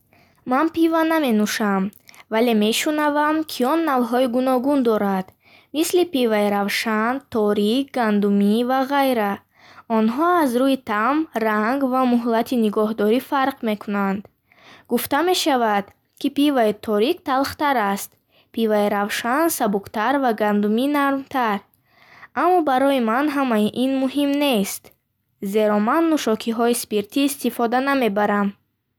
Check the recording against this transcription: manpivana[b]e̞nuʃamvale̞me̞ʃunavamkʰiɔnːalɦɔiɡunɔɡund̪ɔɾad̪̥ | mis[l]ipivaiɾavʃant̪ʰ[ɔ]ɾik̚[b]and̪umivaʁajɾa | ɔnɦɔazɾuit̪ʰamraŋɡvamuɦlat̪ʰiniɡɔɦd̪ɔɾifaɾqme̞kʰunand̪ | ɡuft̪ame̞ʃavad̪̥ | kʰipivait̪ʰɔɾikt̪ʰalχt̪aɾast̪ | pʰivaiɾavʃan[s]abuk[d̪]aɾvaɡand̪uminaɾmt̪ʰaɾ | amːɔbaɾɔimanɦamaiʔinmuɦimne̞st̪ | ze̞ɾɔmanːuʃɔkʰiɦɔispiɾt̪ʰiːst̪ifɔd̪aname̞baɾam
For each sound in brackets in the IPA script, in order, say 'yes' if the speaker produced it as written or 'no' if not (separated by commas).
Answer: no, yes, yes, no, yes, no